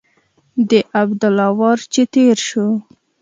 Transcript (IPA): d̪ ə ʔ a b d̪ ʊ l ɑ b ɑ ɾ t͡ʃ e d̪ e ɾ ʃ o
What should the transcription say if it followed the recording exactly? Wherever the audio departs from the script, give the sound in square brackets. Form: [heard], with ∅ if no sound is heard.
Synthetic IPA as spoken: d̪ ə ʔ a b d̪ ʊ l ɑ [w] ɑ ɾ t͡ʃ e [t̪] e ɾ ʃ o